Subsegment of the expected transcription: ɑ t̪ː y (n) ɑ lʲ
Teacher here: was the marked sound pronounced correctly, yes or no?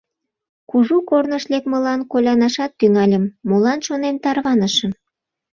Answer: no